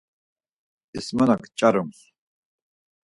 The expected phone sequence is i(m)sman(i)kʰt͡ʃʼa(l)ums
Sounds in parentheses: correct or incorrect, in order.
incorrect: none, incorrect: a, incorrect: ɾ

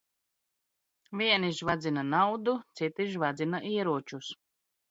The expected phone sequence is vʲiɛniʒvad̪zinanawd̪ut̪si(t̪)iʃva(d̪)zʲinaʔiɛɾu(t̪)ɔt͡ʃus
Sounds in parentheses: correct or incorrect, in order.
correct, correct, incorrect: none

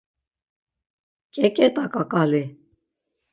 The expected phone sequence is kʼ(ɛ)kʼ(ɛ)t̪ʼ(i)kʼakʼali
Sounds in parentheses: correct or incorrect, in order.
correct, correct, incorrect: a

